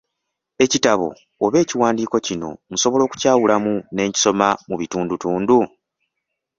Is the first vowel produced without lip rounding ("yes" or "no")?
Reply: yes